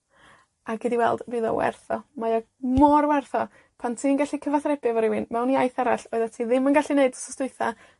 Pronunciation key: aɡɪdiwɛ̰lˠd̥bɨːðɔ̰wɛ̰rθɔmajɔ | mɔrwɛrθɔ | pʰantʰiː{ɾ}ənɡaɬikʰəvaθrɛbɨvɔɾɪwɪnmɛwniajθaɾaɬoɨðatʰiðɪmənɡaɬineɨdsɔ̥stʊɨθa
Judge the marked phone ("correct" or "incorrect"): incorrect